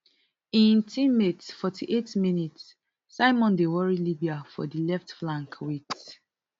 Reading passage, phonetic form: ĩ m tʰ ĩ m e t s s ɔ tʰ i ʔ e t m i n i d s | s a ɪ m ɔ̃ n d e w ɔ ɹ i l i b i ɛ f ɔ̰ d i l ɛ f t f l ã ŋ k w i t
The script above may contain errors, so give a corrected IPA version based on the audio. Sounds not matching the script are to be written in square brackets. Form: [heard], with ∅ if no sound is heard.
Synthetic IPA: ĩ [n] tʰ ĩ m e t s [f] ɔ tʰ i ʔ e t m i n i [t] s | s a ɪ m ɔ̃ n d e w ɔ ɹ i l i b i [a] f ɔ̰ d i l ɛ f t f l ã ŋ k w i t